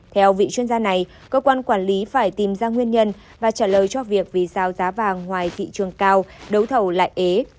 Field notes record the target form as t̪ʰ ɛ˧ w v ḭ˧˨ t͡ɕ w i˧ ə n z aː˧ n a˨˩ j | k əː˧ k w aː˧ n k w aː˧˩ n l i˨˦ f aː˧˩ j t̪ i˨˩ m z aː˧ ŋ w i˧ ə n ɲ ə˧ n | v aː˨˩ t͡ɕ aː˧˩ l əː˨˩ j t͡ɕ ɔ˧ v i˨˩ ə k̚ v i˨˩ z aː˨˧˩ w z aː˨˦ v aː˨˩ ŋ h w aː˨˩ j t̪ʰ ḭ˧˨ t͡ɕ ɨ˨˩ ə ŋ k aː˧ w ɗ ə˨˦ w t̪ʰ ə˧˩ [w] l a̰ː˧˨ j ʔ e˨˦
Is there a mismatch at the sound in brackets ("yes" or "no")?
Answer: no